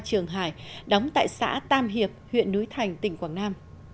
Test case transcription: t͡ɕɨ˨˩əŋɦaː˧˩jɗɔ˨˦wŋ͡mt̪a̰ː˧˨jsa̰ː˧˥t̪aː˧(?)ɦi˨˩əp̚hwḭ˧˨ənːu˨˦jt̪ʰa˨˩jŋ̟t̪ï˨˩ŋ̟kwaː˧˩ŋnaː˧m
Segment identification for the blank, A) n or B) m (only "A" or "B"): B